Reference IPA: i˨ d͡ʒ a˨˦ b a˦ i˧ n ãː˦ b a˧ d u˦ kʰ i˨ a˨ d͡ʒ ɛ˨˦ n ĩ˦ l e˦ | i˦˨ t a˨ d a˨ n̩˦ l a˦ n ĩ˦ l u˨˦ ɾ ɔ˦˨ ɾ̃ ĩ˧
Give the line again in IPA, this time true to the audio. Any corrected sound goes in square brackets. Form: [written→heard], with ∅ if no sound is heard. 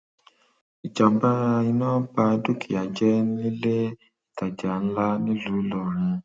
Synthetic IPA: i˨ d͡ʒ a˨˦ b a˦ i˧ n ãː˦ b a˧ d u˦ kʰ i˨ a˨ d͡ʒ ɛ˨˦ n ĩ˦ l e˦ | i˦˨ t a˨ [d→d͡ʒ] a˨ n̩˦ l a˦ n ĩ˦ l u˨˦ [ɾ→l] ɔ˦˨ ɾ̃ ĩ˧